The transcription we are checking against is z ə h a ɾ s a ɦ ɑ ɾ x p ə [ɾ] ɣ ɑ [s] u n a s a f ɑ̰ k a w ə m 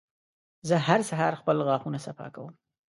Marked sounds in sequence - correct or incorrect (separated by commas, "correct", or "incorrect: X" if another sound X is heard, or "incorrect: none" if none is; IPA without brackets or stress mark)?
incorrect: l, incorrect: x